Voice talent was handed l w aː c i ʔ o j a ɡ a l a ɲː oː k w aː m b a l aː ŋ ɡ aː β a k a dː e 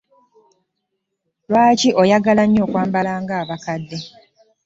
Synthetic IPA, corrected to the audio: l w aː c i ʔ o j a ɡ a l a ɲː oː k w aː m b a l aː ŋ ɡ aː β a k a dː e